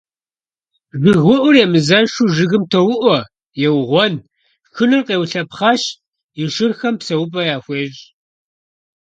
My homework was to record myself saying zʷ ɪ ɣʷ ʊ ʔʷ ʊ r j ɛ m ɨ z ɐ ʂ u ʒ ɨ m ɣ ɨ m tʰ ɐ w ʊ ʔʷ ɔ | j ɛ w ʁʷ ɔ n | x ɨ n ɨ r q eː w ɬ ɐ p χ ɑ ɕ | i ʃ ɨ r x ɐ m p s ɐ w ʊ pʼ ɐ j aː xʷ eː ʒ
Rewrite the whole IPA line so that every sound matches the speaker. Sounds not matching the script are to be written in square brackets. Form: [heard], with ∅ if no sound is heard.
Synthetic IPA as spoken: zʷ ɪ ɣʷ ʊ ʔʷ ʊ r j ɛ m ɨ z ɐ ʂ u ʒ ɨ [∅] ɣ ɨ m tʰ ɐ w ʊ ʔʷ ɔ | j ɛ w ʁʷ ɔ n | x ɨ n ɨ r q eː w ɬ ɐ p χ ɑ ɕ | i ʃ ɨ r x ɐ m p s ɐ w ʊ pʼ ɐ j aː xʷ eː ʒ